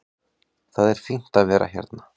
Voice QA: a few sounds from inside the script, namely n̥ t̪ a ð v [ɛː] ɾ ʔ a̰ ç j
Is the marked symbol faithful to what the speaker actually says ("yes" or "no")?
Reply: yes